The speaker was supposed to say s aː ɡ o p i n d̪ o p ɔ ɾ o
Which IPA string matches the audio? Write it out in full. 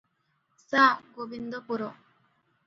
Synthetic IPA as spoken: s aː ɡ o b i n d̪ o p u ɾ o